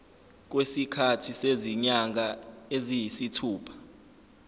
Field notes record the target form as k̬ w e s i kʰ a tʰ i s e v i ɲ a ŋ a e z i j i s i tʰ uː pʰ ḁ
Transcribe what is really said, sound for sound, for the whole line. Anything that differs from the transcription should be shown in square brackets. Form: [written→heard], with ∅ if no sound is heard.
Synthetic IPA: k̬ w e s i kʰ a tʰ i s e [v→z] i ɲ a ŋ a e z i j i s i tʰ uː pʰ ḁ